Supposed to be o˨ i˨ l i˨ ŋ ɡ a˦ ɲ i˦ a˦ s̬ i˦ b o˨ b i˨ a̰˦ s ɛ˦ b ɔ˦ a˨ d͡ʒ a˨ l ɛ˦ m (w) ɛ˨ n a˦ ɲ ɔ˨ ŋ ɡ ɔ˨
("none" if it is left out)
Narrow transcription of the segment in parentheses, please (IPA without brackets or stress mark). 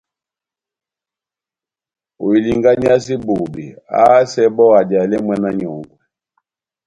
w